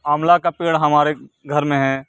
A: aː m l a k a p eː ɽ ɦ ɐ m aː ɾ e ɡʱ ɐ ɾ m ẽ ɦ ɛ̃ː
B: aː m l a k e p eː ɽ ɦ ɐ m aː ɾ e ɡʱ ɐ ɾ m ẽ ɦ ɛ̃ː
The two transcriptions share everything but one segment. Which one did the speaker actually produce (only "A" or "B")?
A